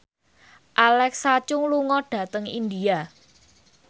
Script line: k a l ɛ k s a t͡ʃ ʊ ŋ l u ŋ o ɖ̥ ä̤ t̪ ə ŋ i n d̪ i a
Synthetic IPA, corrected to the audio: ʔ a l ɛ k s a t͡ʃ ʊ ŋ l u ŋ ɔ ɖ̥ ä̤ t̪ ə ŋ i n d̪ i a